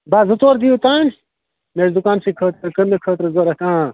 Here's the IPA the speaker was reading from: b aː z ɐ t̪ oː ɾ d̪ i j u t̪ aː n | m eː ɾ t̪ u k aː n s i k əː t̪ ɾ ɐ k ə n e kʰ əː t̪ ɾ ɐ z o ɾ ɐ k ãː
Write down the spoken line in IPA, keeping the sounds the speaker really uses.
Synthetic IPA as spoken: b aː z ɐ t̪ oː ɾ d̪ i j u t̪ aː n | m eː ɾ d̪ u k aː n s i kʰ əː t̪ ɾ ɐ k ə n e kʰ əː t̪ ɾ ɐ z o ɾ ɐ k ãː